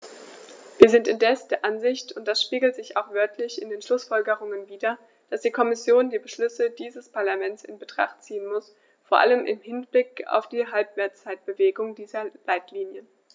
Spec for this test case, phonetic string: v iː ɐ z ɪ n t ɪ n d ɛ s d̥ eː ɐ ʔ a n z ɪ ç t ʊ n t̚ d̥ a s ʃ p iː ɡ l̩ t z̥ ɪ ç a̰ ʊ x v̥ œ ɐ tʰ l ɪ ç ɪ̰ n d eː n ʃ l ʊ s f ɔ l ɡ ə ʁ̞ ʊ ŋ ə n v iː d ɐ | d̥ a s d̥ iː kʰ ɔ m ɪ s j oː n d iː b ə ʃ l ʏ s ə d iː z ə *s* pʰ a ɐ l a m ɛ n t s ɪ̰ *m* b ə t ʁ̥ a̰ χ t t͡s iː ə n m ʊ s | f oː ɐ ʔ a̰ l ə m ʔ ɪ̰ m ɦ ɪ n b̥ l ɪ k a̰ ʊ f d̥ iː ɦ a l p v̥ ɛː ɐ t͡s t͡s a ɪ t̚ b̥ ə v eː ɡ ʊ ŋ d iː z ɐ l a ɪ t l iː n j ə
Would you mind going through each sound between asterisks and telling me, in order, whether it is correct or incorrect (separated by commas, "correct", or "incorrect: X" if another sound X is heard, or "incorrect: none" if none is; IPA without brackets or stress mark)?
correct, incorrect: n